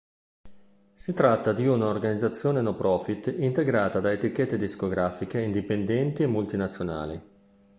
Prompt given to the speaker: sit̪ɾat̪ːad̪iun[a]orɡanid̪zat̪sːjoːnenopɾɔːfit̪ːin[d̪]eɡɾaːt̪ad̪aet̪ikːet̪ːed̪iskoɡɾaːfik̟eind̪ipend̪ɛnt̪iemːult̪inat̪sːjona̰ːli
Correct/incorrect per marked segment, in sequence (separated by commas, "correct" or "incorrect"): correct, incorrect